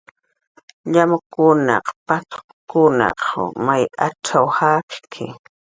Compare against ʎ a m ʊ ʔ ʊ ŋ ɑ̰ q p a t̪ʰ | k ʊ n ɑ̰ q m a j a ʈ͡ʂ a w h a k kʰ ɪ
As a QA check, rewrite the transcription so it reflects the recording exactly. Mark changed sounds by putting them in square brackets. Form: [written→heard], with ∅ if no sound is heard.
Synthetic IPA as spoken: ʎ a m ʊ [ʔ→k] ʊ [ŋ→n] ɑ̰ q p a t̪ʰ | k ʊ n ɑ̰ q m a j a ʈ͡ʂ a w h a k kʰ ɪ

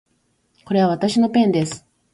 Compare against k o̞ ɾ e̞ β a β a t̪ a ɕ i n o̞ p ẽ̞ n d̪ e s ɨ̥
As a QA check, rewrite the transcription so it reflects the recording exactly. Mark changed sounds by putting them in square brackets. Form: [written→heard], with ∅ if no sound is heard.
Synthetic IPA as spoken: k o̞ ɾ e̞ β a β a t̪ a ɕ i n o̞ p ẽ̞ n d̪ e s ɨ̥

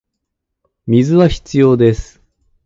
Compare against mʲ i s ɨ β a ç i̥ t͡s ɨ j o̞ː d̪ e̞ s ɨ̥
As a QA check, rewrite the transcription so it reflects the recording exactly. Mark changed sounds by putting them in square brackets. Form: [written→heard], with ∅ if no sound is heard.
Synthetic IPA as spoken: mʲ i [s→z] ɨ β a ç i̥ t͡s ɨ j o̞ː d̪ e̞ s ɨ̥

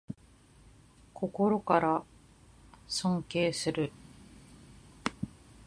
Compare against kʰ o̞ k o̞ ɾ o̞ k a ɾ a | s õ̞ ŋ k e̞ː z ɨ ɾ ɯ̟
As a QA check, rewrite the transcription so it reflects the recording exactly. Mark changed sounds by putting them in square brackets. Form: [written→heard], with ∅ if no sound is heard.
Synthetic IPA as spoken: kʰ o̞ k o̞ ɾ o̞ k a ɾ a | s õ̞ ŋ k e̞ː [z→s] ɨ ɾ ɯ̟

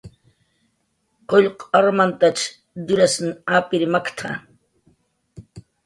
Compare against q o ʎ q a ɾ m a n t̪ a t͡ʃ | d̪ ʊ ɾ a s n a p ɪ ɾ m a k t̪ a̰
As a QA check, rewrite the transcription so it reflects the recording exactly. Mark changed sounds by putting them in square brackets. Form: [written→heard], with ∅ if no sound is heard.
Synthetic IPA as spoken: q o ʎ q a ɾ m a n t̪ a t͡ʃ | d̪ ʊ ɾ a s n a p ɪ ɾ m a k [t̪→t̪ʰ] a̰

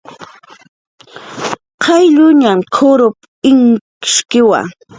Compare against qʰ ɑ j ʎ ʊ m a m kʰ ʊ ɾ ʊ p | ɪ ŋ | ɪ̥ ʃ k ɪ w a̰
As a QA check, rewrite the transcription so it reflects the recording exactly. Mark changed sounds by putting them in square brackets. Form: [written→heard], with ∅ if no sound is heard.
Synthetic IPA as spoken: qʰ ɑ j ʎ ʊ [m→ɲ] a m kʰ ʊ ɾ ʊ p | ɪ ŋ | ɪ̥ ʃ k ɪ w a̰

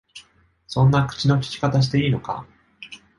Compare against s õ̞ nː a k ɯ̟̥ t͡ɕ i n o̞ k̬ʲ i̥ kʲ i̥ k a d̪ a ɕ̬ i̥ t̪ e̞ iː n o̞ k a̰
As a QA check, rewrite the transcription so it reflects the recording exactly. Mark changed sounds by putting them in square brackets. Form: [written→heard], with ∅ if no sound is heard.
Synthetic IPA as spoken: s õ̞ nː a k ɯ̟̥ t͡ɕ i n o̞ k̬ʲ i̥ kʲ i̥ k a [d̪→t̪] a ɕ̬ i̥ t̪ e̞ iː n o̞ k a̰

